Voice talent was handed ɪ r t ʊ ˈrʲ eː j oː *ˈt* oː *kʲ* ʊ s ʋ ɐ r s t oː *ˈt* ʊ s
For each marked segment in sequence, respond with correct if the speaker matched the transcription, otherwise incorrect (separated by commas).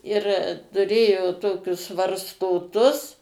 correct, correct, correct